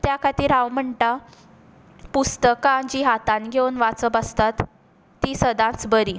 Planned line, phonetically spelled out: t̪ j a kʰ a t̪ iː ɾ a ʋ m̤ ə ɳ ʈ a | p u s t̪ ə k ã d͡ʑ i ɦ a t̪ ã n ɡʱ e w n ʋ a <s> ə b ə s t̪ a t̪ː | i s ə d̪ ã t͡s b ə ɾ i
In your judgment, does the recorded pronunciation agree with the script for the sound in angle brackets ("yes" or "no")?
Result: no